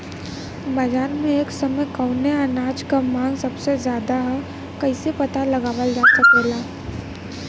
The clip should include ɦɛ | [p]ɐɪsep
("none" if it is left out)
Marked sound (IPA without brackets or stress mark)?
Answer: k